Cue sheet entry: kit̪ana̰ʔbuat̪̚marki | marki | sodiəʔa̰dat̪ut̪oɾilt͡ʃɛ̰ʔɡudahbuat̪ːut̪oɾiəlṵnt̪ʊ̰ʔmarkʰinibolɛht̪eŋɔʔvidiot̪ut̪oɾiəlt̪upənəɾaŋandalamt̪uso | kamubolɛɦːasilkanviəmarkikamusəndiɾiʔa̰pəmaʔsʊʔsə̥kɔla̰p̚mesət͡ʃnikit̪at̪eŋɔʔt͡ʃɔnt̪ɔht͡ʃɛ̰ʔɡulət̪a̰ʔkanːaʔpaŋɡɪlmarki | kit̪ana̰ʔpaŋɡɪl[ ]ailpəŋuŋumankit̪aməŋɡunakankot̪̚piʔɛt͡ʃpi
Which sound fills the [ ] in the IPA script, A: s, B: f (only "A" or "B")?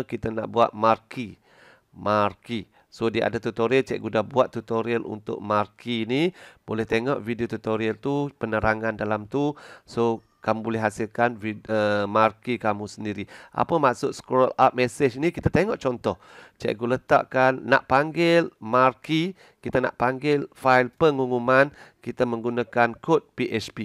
B